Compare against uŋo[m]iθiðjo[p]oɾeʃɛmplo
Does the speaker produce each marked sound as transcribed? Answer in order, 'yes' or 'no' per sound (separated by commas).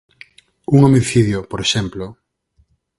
yes, yes